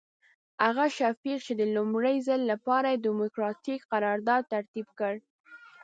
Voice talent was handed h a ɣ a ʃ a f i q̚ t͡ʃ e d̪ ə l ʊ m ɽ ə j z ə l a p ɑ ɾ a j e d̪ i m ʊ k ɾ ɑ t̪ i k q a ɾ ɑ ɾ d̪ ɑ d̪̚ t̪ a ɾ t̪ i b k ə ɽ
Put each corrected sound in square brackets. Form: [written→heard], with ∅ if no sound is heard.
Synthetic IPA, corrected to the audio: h a ɣ a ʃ a f i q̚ t͡ʃ e d̪ ə l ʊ m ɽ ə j z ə [l→lː] a p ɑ ɾ a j e d̪ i m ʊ k ɾ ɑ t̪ i k q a ɾ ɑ ɾ d̪ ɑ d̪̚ t̪ a ɾ t̪ i b k ə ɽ